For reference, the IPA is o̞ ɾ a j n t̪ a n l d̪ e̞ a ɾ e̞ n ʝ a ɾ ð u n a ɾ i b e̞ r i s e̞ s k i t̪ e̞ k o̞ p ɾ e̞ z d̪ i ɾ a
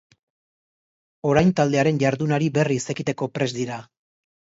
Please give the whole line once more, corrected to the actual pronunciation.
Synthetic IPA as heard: o̞ ɾ a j n t̪ a l d̪ e̞ a ɾ e̞ n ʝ a ɾ ð u n a ɾ i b e̞ r i s e̞ k i t̪ e̞ k o̞ p ɾ e̞ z d̪ i ɾ a